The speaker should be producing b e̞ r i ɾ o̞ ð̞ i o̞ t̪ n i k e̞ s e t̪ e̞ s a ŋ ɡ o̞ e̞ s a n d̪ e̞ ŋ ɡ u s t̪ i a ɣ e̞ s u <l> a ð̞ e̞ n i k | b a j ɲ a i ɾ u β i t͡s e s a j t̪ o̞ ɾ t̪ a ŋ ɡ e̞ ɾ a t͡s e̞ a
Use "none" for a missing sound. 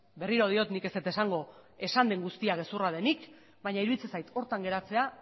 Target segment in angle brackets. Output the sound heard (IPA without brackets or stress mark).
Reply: r